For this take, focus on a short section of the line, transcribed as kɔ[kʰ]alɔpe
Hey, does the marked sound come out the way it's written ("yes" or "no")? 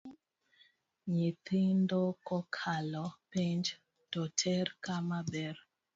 yes